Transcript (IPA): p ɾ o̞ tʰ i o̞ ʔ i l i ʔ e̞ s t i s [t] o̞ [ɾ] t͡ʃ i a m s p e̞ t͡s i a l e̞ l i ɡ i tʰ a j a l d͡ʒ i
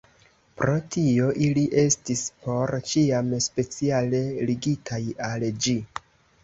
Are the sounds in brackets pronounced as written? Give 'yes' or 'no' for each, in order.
no, yes

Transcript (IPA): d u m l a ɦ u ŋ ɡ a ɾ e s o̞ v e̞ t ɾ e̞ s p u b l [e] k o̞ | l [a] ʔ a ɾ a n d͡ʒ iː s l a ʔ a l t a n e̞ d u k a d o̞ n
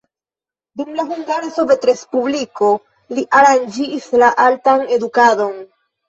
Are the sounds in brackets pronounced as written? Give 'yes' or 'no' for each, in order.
no, no

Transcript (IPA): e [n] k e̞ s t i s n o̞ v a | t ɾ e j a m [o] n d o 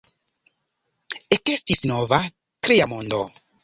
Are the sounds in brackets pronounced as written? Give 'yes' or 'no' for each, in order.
no, yes

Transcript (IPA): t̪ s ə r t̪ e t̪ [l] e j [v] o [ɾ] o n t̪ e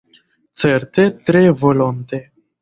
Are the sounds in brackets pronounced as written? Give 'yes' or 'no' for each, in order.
no, yes, no

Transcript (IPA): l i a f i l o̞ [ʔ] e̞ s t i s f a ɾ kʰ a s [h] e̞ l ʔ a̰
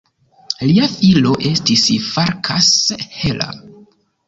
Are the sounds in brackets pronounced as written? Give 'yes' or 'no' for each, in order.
yes, yes

